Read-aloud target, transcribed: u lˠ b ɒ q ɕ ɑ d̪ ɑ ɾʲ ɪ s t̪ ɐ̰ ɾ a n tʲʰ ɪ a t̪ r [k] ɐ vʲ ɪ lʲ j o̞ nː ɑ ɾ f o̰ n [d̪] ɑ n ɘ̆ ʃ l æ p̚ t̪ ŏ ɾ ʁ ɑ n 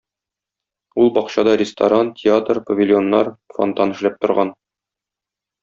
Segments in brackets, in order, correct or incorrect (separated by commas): incorrect, incorrect